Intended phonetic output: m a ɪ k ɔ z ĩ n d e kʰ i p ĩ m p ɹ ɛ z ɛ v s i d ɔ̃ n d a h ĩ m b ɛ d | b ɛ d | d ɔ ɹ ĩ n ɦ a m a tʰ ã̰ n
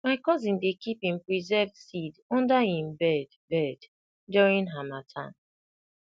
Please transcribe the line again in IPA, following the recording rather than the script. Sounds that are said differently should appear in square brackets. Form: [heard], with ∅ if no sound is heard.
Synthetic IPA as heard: m a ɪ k ɔ z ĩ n d e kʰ i p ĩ m p ɹ [i] z ɛ v s i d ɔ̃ n d a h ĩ m b ɛ d | b ɛ d | d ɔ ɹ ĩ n ɦ a m a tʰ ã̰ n